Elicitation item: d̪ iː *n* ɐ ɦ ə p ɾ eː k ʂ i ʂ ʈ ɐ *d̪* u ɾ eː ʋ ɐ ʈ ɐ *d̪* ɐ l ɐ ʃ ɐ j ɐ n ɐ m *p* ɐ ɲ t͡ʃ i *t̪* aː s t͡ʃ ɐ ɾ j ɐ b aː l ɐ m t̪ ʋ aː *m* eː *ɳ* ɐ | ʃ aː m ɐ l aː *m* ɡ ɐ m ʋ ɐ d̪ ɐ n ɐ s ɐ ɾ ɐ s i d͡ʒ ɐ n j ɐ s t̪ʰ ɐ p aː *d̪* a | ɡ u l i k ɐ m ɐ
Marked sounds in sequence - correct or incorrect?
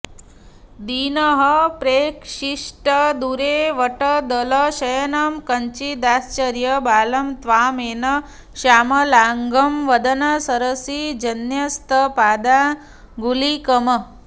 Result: correct, correct, correct, incorrect, incorrect, correct, incorrect, incorrect, correct

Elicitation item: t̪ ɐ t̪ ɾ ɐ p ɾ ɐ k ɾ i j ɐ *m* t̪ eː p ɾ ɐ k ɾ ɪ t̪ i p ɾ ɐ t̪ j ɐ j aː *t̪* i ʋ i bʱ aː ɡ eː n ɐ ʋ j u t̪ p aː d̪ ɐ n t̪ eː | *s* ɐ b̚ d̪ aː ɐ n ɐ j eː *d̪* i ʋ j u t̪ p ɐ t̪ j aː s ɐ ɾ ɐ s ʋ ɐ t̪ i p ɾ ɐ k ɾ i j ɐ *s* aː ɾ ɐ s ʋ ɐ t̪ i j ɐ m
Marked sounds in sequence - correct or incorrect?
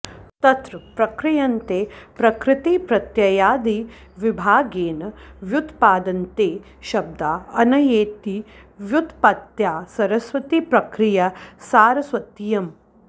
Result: incorrect, incorrect, incorrect, incorrect, correct

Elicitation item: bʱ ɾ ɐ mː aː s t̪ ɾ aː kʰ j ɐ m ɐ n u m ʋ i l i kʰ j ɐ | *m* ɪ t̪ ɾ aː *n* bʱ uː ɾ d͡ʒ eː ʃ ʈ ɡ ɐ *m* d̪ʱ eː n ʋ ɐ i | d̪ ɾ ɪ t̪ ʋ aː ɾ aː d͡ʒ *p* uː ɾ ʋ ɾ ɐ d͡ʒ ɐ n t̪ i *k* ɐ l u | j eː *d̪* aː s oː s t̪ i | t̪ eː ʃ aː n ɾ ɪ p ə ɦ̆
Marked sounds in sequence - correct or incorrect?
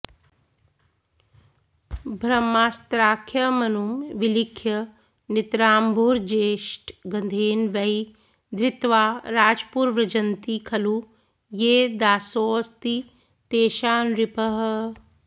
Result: incorrect, incorrect, incorrect, correct, incorrect, correct

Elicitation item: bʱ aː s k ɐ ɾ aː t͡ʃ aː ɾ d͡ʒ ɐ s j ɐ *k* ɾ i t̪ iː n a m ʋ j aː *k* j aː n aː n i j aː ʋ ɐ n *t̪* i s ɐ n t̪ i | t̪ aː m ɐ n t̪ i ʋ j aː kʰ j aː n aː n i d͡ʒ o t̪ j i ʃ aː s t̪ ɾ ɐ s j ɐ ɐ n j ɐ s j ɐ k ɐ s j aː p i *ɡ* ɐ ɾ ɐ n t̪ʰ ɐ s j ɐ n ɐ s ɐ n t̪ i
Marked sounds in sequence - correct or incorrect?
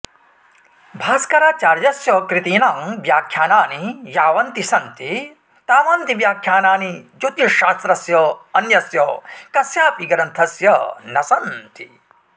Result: correct, incorrect, correct, correct

